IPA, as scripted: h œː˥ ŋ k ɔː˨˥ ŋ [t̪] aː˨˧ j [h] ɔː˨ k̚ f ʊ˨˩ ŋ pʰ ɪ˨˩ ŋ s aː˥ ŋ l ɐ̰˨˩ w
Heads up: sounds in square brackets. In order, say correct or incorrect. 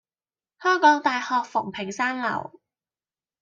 correct, correct

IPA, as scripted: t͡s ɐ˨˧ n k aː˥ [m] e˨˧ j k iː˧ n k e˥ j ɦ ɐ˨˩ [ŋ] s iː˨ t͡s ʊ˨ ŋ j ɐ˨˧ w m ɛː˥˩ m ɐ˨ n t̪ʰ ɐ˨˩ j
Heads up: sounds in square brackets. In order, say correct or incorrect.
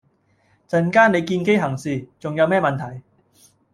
incorrect, correct

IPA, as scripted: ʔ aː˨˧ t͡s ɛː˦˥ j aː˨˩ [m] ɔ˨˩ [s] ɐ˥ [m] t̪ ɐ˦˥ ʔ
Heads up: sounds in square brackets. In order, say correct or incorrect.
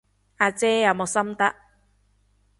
correct, correct, correct

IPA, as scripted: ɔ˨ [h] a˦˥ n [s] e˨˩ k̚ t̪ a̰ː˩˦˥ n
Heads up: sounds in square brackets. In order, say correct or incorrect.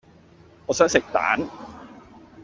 incorrect, correct

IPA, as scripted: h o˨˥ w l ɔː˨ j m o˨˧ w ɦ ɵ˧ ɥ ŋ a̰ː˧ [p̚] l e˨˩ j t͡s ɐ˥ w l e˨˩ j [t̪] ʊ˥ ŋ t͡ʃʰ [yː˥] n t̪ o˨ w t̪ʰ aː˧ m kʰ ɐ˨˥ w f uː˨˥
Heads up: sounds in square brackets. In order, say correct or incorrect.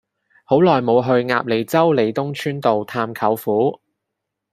correct, correct, correct

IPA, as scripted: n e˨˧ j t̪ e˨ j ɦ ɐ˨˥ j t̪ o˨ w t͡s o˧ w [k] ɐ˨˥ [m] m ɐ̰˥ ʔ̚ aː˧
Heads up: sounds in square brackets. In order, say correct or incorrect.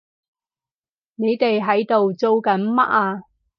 correct, incorrect

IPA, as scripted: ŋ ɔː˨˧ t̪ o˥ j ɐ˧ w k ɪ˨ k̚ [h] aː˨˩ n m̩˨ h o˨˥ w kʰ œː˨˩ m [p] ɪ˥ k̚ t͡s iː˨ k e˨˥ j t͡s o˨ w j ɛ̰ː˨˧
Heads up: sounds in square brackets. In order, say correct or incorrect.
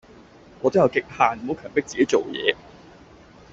correct, correct

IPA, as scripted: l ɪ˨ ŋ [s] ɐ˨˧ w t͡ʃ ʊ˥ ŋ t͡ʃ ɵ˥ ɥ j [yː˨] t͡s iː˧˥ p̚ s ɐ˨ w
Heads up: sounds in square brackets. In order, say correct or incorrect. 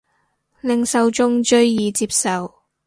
correct, incorrect

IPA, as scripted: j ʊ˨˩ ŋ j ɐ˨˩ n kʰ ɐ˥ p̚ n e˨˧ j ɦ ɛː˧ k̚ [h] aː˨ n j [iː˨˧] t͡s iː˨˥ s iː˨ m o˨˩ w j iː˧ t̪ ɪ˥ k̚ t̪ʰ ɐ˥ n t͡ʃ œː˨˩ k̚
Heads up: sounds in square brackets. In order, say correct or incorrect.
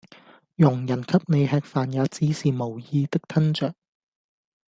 incorrect, incorrect

